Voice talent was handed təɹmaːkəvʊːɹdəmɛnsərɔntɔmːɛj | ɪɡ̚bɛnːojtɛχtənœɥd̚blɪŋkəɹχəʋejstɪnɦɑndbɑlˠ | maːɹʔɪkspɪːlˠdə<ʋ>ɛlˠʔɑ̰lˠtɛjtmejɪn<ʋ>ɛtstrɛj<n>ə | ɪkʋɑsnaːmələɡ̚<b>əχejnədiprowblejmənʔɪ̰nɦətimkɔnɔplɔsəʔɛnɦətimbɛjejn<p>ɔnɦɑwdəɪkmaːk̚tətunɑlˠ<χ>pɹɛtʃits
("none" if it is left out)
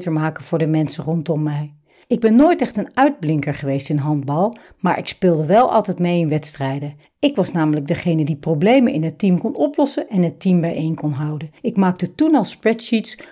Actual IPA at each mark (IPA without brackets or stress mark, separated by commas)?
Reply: ʋ, ʋ, d, d, k, s